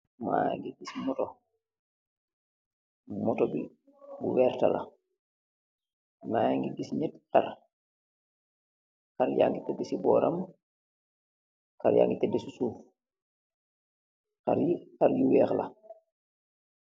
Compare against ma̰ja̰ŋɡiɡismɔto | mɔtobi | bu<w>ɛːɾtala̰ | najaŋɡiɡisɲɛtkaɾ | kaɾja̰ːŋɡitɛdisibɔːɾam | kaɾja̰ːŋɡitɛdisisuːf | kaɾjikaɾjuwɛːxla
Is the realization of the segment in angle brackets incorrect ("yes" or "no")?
no